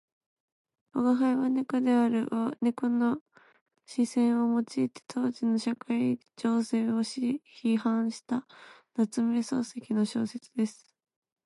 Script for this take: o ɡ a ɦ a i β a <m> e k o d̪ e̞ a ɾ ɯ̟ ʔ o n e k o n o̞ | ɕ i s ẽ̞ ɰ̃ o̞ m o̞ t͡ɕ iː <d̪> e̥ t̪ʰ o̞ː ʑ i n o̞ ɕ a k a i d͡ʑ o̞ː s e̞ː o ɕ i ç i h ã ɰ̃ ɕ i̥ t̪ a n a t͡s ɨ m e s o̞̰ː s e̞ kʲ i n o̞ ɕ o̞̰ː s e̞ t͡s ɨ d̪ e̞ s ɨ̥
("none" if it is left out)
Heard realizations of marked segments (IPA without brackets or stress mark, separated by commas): n, t̪